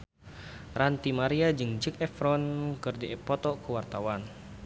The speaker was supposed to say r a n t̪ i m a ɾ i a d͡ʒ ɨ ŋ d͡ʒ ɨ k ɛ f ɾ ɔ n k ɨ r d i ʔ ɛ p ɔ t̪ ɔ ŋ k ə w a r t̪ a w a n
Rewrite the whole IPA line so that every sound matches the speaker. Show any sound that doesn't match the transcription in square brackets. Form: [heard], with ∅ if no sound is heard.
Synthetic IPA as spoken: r a n t̪ i m a ɾ i a d͡ʒ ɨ ŋ d͡ʒ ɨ k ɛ f ɾ ɔ n k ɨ r d i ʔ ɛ p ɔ t̪ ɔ [∅] k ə w a r t̪ a w a n